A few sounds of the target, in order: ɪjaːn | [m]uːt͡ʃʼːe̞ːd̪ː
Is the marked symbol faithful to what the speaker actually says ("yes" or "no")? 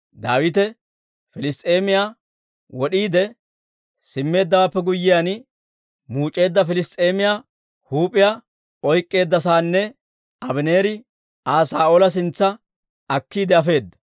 yes